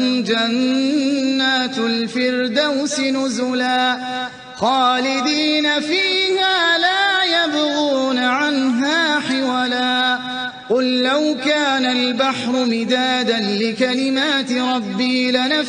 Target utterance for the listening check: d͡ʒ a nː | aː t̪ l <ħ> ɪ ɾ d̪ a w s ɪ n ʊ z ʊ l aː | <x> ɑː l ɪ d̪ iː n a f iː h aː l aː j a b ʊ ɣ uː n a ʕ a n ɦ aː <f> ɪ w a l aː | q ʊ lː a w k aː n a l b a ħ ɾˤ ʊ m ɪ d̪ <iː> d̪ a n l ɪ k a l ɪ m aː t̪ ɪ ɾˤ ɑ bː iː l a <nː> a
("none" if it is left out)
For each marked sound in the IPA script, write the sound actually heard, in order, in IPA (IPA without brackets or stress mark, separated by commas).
f, x, ħ, aː, n